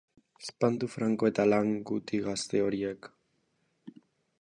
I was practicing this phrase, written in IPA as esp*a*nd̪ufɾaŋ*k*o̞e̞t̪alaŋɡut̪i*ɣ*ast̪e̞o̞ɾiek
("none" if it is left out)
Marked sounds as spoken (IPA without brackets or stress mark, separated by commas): a, k, ɣ